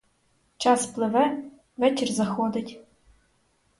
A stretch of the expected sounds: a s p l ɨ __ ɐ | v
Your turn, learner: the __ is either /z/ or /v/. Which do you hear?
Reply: v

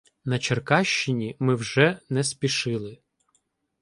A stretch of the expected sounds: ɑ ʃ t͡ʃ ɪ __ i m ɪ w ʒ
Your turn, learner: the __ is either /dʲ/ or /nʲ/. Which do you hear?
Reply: nʲ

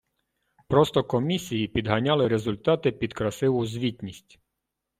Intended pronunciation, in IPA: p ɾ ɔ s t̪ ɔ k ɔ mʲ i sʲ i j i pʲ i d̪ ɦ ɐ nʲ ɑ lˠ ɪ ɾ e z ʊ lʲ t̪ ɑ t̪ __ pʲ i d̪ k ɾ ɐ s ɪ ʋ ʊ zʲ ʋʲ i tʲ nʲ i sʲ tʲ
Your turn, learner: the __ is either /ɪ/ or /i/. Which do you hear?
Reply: ɪ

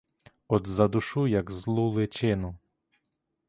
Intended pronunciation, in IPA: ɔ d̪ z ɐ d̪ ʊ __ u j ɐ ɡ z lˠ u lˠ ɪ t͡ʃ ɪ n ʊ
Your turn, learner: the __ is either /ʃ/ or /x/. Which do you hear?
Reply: ʃ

